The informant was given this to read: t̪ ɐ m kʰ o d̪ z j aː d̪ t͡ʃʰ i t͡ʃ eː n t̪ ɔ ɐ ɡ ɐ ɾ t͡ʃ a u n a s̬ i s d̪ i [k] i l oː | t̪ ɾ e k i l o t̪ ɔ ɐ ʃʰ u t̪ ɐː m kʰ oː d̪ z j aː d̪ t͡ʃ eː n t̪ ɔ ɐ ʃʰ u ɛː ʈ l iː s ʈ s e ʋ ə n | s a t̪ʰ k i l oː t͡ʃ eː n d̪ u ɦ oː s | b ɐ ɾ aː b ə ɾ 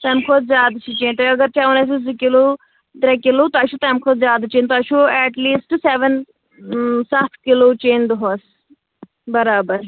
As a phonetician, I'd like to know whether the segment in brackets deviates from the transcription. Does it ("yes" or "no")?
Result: no